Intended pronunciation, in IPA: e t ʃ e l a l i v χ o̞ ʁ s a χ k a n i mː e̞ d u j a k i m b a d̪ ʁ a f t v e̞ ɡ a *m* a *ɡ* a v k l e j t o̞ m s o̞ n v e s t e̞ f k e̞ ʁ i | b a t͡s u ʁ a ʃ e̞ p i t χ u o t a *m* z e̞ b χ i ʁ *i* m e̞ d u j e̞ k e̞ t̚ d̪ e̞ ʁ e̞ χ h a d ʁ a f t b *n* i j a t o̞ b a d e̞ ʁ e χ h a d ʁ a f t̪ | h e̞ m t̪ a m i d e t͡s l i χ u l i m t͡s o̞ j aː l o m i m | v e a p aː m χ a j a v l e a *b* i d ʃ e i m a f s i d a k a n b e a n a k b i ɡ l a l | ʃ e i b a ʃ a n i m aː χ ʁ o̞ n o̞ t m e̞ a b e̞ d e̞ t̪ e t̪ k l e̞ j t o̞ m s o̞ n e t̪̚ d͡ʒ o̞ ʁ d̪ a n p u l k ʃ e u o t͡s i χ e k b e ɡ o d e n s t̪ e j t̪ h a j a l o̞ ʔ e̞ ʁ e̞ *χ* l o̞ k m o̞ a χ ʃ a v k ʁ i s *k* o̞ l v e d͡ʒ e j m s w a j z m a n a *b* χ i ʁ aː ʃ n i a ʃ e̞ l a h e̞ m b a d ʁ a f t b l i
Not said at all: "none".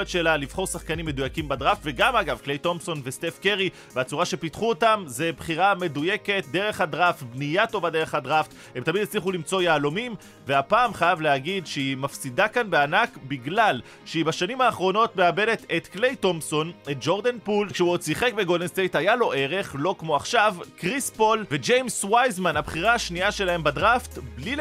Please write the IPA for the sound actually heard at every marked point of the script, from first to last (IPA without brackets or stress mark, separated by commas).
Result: m, ɡ, m, a, n, ɡ, χ, p, b